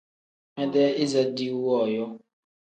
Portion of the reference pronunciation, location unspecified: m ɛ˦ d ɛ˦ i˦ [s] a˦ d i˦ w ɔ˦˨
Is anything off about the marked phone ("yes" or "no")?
yes